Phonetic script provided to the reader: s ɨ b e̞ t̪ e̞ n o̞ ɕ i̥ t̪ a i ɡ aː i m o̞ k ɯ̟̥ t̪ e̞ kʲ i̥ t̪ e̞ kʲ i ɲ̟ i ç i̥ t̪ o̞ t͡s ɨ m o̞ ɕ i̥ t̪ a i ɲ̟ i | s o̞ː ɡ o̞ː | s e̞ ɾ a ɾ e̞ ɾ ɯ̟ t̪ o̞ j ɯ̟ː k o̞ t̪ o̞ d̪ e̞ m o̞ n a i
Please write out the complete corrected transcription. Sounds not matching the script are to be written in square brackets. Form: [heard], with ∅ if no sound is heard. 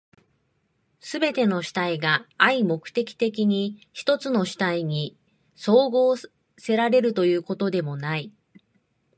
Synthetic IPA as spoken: s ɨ b e̞ t̪ e̞ n o̞ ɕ i̥ t̪ a i ɡ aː i m o̞ k ɯ̟̥ t̪ e̞ kʲ i̥ t̪ e̞ kʲ i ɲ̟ i ç i̥ t̪ o̞ t͡s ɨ [n] o̞ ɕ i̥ t̪ a i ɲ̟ i | s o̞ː ɡ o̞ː | s e̞ ɾ a ɾ e̞ ɾ ɯ̟ t̪ o̞ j ɯ̟ː k o̞ t̪ o̞ d̪ e̞ m o̞ n a i